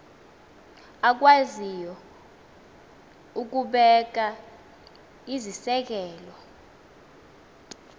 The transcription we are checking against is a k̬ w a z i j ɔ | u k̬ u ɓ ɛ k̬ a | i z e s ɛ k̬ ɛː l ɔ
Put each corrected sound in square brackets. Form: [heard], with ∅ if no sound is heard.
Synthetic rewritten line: a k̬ w a z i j ɔ | u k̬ u ɓ ɛ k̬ a | i z [i] s ɛ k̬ ɛː l ɔ